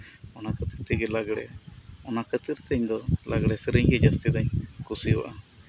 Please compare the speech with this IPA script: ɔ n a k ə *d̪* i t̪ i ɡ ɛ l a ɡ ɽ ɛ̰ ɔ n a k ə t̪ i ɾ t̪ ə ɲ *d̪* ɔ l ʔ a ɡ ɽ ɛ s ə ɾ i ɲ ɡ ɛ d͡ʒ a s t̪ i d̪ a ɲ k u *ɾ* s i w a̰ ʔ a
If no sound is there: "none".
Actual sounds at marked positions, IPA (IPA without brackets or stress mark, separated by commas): t̪, d̪, none